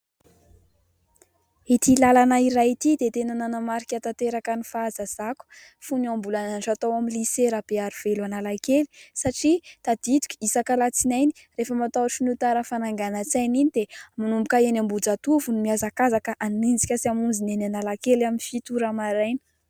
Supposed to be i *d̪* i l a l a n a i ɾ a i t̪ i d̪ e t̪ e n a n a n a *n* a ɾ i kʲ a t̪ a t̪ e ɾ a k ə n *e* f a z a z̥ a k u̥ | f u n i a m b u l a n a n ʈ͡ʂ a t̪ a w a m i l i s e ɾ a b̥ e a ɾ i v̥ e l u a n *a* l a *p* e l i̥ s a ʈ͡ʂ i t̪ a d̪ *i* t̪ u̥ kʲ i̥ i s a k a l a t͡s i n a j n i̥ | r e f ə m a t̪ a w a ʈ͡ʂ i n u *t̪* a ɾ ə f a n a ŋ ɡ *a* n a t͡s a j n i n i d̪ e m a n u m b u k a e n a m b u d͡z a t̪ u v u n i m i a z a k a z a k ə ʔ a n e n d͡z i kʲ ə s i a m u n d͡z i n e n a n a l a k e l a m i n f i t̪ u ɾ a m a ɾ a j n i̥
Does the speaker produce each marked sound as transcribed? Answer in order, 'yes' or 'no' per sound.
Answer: no, no, no, yes, no, yes, yes, yes

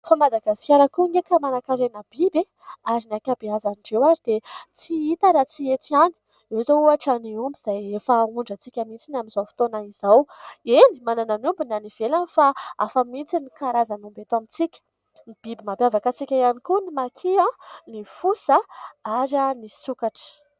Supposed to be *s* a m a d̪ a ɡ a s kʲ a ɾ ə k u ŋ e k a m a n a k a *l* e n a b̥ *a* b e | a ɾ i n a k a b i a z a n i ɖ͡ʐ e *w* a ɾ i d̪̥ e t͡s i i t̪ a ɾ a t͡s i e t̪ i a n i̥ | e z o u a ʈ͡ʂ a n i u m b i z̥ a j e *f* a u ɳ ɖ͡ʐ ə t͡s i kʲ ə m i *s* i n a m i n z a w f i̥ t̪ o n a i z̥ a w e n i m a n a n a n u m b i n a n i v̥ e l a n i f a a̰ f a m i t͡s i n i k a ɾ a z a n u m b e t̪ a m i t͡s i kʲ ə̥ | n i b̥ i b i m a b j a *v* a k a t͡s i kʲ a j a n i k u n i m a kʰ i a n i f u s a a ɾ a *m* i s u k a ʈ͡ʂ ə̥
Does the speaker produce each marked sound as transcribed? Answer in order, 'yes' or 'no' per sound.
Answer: no, no, no, yes, yes, no, yes, no

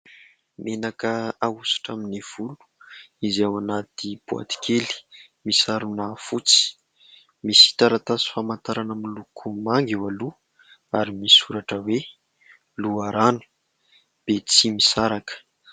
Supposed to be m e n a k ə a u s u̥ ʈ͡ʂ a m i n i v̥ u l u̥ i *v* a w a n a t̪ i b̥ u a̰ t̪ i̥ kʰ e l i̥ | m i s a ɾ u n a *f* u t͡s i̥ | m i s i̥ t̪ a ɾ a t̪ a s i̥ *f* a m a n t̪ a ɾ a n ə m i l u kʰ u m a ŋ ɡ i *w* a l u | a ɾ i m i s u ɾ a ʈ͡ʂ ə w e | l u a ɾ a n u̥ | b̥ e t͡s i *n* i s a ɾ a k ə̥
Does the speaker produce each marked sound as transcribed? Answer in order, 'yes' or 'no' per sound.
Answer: no, yes, yes, yes, no

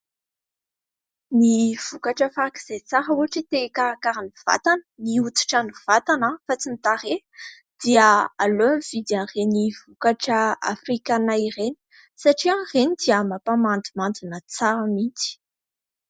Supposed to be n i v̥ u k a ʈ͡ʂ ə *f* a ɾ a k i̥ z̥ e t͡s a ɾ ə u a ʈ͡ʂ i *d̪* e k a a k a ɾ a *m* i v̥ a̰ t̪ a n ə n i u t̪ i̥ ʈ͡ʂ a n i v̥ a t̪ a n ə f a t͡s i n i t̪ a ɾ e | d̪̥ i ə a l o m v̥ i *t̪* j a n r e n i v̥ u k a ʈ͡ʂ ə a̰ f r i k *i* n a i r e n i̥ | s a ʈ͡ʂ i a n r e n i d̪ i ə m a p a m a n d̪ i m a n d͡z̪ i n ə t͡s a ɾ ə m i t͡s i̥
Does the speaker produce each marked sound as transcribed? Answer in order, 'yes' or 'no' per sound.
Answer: yes, no, no, no, no

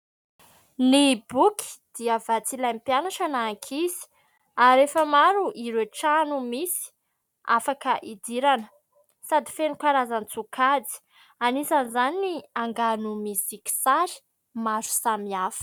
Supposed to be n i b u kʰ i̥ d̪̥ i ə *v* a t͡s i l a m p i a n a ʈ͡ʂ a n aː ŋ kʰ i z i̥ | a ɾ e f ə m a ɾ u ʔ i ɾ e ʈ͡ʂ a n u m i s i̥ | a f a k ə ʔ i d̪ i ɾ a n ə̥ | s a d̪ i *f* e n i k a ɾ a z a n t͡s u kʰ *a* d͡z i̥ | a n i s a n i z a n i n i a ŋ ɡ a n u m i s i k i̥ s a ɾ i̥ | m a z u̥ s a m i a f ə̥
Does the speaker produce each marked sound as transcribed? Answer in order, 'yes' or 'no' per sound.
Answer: yes, yes, yes

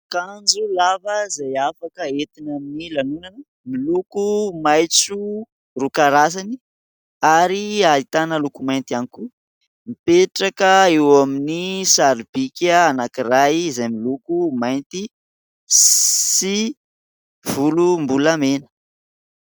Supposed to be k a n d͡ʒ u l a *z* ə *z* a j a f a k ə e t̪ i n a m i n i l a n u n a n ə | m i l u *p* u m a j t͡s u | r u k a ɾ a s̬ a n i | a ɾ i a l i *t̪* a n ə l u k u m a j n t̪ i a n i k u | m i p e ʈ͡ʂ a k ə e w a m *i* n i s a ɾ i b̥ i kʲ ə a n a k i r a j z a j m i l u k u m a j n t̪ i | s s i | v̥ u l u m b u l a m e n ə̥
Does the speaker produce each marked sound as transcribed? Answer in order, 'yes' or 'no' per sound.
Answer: no, yes, no, yes, yes

